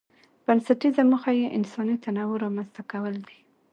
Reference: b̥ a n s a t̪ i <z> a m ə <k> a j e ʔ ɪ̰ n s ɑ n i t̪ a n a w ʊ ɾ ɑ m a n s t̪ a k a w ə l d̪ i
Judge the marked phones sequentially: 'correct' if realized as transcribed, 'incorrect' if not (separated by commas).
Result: correct, incorrect